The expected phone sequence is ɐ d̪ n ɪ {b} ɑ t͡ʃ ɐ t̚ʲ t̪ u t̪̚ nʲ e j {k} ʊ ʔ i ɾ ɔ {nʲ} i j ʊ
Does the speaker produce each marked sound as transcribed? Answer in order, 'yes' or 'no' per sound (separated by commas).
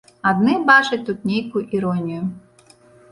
yes, yes, yes